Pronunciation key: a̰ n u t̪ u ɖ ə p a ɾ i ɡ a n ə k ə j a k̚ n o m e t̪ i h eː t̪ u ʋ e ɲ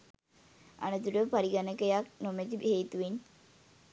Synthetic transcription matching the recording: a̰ n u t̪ u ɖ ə p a ɾ i ɡ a n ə k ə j a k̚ n o m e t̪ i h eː t̪ u ʋ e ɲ